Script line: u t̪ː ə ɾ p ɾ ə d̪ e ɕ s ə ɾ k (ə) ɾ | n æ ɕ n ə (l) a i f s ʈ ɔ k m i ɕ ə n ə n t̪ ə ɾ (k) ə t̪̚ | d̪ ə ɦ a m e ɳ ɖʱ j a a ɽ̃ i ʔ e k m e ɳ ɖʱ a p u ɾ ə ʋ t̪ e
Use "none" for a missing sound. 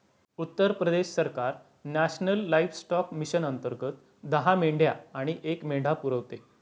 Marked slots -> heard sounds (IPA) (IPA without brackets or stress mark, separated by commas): a, lː, ɡ